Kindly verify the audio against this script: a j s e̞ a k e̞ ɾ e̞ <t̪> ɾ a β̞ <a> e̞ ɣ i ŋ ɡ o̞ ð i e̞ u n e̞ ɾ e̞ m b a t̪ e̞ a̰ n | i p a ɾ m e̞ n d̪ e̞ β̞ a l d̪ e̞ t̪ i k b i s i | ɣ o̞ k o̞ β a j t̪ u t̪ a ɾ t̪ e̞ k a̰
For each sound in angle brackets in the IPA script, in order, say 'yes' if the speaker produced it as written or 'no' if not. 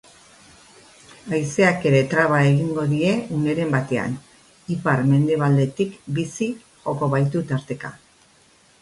yes, yes

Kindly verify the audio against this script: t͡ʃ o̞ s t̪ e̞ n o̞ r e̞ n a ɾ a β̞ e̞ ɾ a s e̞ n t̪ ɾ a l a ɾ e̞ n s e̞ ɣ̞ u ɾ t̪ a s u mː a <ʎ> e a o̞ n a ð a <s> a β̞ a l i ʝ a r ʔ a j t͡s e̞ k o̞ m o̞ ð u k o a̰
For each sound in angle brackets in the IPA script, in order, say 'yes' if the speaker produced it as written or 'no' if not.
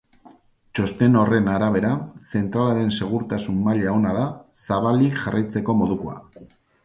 yes, yes

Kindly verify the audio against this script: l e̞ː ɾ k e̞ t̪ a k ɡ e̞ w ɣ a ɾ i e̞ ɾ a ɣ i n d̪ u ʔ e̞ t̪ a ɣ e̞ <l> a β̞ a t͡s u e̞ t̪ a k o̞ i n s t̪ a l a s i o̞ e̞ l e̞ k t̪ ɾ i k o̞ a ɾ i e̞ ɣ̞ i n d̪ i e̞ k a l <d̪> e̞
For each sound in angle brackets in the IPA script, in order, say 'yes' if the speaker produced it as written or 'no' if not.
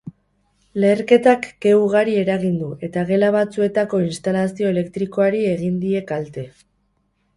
yes, no

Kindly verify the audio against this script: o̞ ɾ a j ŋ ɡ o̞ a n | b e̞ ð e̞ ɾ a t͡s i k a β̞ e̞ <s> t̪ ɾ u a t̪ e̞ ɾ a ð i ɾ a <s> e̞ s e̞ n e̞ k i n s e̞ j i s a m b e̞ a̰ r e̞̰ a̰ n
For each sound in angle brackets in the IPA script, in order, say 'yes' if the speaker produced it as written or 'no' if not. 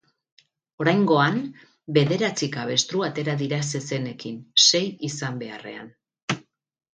yes, yes

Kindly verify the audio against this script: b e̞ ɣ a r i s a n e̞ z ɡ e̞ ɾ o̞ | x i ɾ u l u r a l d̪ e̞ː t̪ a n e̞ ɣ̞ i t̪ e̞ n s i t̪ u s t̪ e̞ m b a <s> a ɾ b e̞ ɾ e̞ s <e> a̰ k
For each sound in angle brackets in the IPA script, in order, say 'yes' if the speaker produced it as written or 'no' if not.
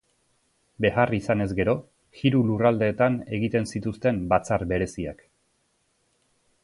no, no

